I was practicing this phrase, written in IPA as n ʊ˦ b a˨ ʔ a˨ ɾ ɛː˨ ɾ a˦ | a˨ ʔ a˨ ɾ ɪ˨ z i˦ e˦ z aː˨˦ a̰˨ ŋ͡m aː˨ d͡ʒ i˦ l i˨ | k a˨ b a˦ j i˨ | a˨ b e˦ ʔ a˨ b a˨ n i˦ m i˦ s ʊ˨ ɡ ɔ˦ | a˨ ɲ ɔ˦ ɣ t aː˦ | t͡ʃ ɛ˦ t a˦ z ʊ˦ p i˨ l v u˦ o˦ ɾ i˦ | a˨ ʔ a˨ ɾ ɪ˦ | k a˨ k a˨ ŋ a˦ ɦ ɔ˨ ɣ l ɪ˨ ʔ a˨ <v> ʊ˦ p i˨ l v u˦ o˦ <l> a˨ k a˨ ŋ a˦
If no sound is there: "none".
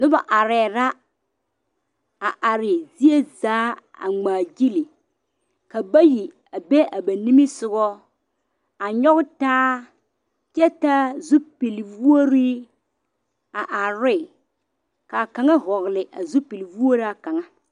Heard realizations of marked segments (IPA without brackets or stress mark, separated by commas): z, ɾ